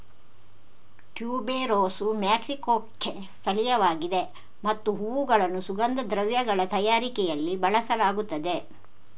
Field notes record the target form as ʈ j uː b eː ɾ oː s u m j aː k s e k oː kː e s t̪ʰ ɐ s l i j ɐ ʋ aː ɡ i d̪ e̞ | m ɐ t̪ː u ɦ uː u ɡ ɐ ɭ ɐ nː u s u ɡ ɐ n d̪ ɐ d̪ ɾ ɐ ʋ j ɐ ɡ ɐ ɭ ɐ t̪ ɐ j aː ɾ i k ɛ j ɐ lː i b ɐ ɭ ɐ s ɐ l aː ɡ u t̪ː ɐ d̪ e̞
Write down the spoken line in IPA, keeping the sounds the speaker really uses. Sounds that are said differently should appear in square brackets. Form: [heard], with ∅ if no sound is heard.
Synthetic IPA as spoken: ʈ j uː b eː ɾ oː s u m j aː k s [i] k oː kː e s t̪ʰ ɐ [∅] l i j ɐ ʋ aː ɡ i d̪ e̞ | m ɐ t̪ː u ɦ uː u ɡ ɐ ɭ ɐ nː u s u ɡ ɐ n d̪ ɐ d̪ ɾ ɐ ʋ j ɐ ɡ ɐ ɭ ɐ t̪ ɐ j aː ɾ i k ɛ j ɐ lː i b ɐ ɭ ɐ s ɐ l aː ɡ u t̪ː ɐ d̪ e̞